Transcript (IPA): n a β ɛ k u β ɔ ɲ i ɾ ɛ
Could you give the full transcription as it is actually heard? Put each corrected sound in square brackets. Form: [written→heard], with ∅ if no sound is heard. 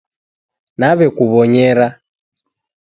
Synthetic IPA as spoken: n a β ɛ k u β ɔ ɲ [i→ɛ] ɾ [ɛ→a]